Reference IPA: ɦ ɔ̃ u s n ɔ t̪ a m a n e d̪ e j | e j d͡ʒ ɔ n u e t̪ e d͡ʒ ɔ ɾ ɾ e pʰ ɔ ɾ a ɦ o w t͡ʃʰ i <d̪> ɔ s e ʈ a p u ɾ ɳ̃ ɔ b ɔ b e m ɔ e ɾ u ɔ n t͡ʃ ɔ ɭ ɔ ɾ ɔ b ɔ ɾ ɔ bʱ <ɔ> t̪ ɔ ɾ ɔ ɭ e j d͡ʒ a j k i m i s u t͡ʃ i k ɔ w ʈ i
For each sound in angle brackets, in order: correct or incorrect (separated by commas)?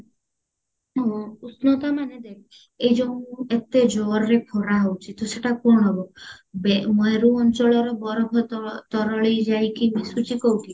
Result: incorrect, correct